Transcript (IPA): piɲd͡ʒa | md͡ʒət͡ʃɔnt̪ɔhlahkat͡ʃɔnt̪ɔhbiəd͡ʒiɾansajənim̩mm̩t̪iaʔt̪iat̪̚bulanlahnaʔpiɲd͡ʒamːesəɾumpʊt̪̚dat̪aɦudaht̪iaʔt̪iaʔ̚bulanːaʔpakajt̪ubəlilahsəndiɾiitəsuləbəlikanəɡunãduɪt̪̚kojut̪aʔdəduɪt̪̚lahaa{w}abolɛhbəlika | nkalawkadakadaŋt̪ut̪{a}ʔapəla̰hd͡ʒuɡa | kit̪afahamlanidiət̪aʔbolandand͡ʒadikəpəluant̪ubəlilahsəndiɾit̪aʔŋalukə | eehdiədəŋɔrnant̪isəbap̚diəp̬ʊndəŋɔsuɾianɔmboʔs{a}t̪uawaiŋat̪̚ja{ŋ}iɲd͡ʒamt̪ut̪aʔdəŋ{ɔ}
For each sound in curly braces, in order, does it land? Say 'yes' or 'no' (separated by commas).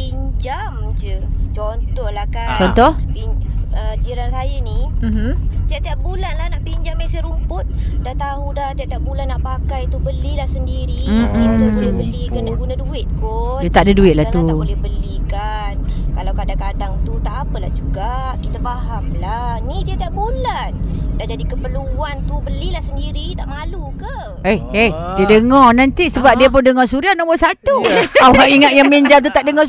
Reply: no, yes, yes, no, yes